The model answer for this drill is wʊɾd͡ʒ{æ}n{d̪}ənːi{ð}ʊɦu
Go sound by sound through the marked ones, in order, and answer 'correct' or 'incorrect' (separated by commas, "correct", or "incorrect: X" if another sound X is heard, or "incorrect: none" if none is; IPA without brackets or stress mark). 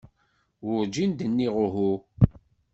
incorrect: i, correct, incorrect: ʁ